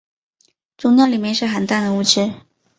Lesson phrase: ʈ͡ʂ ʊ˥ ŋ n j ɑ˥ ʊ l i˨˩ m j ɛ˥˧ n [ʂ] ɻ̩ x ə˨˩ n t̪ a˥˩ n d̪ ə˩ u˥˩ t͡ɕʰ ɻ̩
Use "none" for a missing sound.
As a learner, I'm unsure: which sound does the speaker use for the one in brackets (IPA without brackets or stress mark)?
ʂ